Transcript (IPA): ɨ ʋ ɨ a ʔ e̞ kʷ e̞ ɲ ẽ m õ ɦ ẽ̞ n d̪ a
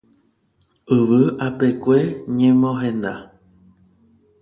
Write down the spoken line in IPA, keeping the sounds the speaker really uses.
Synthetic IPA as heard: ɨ ʋ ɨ a p e̞ kʷ e̞ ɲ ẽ m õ ɦ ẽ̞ n d̪ a